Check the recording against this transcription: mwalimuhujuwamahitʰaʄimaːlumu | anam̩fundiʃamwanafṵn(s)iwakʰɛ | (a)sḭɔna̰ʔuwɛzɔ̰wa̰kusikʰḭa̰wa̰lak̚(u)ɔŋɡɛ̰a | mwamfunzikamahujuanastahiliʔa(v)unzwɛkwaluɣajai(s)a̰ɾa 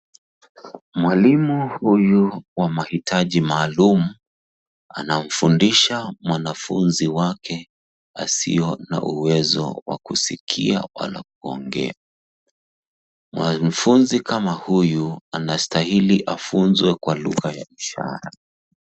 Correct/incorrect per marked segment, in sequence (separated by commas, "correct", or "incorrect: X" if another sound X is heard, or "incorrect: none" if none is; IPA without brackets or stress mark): incorrect: z, correct, correct, incorrect: f, incorrect: ʃ